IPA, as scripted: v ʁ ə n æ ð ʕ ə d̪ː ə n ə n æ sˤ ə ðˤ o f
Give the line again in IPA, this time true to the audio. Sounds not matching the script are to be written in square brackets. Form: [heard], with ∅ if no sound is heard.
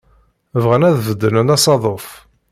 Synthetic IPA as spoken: v ʁ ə n æ ð [v] ə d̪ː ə n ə n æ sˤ [ɑ] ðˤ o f

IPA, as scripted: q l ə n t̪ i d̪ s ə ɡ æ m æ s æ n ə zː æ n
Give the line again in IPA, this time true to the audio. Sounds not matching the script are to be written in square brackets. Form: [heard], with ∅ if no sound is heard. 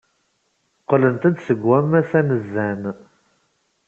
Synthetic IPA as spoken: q l ə n t̪ [æ] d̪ s ə ɡ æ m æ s æ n ə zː æ n

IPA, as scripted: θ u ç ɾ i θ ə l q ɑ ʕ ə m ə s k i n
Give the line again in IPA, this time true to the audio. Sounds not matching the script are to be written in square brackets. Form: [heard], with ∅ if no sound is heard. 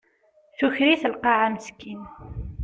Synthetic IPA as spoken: θ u ç ɾ i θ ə l q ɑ ʕ [a] m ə s k i n

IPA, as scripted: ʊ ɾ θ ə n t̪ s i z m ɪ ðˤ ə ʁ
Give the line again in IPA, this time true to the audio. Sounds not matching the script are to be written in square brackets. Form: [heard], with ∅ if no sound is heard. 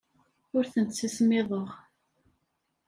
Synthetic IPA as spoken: ʊ ɾ θ ə n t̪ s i [s] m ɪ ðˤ ə ʁ

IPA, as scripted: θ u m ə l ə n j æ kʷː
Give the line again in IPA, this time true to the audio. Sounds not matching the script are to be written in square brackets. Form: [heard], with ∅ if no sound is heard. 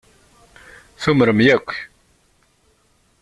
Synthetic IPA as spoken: θ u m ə [ɾ] ə [m] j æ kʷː

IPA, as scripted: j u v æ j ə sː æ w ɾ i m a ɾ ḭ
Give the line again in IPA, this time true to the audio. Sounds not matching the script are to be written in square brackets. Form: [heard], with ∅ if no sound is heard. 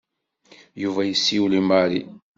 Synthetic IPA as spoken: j u v æ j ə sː [i] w [l] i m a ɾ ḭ

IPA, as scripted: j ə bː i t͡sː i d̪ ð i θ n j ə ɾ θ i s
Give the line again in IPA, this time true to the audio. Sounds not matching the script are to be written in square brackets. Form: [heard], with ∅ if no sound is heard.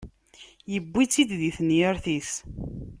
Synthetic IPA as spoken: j ə bː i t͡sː i d̪ ð i θ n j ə ɾ θ i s

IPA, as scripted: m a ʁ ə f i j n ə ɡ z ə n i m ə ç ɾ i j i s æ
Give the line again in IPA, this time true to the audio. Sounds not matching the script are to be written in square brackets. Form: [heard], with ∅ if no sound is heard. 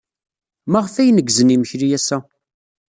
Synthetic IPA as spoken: m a ʁ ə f [æ] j n ə ɡ z ə n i m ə ç ɾ i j [æ] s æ

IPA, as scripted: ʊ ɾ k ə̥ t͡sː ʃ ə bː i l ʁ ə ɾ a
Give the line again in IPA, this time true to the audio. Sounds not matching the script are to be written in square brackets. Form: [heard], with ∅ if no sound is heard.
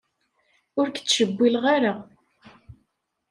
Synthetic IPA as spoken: ʊ ɾ k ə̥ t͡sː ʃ ə bː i l ʁ [a] ɾ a

